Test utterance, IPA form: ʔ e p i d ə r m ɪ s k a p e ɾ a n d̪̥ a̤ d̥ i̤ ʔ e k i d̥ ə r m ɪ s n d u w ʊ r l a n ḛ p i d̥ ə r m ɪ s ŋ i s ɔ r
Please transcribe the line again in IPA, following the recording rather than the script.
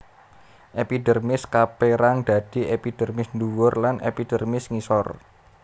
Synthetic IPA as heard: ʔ e p i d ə r m ɪ s k a p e ɾ a ŋ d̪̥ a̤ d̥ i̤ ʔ e p i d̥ ə r m ɪ s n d u w ʊ r l a n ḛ p i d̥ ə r m ɪ s ŋ i s ɔ r

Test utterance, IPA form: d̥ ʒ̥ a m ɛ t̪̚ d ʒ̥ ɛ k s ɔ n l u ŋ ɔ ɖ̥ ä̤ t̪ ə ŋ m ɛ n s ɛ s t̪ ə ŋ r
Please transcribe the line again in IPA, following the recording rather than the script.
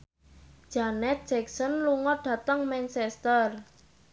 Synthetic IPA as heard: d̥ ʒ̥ a n ɛ t̪̚ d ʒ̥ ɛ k s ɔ n l u ŋ ɔ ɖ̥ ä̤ t̪ ə ŋ m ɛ n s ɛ s t̪ ə r

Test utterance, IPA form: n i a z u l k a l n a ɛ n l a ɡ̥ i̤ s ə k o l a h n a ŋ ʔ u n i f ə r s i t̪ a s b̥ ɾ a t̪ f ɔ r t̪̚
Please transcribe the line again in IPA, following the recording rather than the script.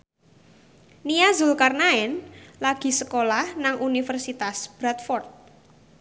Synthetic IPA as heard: n i a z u l k a r n a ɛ n l a ɡ̥ i̤ s ə k o l a h n a ŋ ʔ u n i f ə r s i t̪ a s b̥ ɾ a t̪ f ɔ r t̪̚

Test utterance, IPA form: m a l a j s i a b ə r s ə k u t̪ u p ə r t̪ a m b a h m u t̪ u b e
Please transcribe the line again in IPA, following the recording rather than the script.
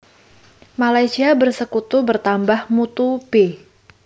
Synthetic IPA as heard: m a l a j s i a b ə r s ə k u t̪ u b ə r t̪ a m b a h m u t̪ u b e

